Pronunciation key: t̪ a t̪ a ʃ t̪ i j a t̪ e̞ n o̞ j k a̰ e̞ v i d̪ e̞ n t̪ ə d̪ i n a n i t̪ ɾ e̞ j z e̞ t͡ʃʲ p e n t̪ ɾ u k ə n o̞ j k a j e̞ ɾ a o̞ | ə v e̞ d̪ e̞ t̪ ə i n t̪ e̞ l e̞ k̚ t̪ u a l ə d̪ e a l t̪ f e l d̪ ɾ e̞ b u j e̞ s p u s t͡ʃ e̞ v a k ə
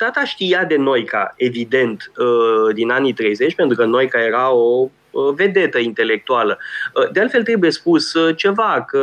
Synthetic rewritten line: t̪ a t̪ a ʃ t̪ i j a d̪ e̞ n o̞ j k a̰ e̞ v i d̪ e̞ n t̪ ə d̪ i n a n i t̪ ɾ e̞ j z e̞ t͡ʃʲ p e n t̪ ɾ u k ə n o̞ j k a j e̞ ɾ a o̞ | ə v e̞ d̪ e̞ t̪ ə i n t̪ e̞ l e̞ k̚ t̪ u a l ə d̪ e a l t̪ f e l t̪ ɾ e̞ b u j e̞ s p u s t͡ʃ e̞ v a k ə